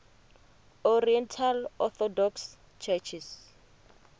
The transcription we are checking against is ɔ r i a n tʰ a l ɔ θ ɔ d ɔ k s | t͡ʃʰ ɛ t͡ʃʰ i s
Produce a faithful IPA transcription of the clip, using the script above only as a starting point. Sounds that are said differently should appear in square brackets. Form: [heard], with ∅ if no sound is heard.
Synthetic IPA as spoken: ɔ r i [ɛ] n tʰ a l ɔ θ ɔ d ɔ k s | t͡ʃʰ ɛ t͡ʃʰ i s